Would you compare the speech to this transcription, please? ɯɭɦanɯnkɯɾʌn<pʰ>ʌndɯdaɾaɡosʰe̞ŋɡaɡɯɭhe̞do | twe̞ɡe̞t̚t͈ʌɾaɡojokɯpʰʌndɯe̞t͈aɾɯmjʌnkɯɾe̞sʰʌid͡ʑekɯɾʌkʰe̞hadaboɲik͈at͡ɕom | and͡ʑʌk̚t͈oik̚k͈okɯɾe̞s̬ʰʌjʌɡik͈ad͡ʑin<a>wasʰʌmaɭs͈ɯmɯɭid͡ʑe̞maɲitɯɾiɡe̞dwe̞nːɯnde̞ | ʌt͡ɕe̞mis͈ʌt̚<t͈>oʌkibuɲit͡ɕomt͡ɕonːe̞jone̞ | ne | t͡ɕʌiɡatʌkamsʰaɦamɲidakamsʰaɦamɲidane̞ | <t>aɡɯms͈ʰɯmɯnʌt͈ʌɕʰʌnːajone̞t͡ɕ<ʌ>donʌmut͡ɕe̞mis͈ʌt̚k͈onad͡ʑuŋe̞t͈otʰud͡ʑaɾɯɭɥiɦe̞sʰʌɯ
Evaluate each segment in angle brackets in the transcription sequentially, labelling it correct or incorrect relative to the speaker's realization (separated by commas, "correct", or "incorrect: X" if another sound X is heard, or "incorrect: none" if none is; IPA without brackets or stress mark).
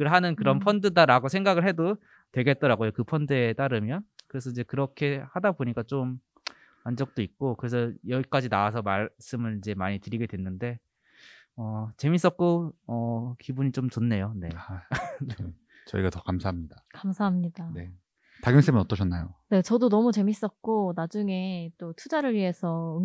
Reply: correct, correct, incorrect: k͈, correct, correct